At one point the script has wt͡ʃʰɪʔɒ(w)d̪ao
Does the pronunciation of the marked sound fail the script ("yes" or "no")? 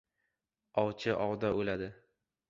no